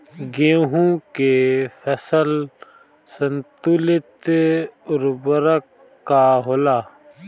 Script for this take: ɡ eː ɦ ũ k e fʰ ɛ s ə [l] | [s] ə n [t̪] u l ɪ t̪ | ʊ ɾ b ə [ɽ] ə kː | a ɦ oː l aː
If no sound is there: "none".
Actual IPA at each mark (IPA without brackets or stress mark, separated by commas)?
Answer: l, s, t̪, ɾ